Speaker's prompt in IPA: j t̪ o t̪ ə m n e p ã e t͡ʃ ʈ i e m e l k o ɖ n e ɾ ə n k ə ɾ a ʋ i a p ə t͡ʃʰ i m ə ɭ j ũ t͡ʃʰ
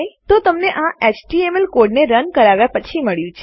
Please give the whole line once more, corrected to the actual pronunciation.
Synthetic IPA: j t̪ o t̪ ə m n e ʔ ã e t͡ʃ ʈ i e m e l k o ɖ n e ɾ ə n k ə ɾ a ʋ j a p ə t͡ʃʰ i m ə ɭ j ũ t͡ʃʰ